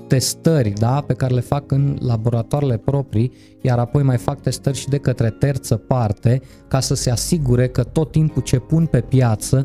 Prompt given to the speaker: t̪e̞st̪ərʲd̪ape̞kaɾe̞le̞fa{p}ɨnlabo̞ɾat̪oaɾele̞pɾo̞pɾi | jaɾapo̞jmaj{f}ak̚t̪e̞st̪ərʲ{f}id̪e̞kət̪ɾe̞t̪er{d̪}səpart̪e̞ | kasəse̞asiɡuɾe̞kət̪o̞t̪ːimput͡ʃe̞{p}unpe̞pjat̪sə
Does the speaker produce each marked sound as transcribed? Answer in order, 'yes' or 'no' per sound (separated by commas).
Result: no, yes, no, no, yes